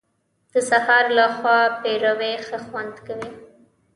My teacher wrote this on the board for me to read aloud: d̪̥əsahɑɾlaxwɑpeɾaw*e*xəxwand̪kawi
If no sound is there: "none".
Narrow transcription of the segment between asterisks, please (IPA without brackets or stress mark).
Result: e